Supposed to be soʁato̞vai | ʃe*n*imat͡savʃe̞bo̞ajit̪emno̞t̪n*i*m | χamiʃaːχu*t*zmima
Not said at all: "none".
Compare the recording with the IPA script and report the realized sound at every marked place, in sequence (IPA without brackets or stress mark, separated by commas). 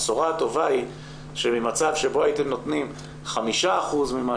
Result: m, i, none